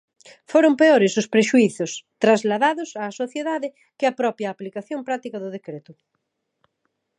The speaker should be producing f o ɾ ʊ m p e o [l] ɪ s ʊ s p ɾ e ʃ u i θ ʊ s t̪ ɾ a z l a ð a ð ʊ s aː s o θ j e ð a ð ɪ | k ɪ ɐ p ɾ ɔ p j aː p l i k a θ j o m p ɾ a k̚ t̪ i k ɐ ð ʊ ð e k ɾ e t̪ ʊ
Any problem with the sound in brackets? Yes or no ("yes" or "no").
yes